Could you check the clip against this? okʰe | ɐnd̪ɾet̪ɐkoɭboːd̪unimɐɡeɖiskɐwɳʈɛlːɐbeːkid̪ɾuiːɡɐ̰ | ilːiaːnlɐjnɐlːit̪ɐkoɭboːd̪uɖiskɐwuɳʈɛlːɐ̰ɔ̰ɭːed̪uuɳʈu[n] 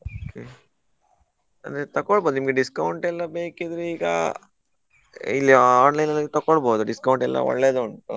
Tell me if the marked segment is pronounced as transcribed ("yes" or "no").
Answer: no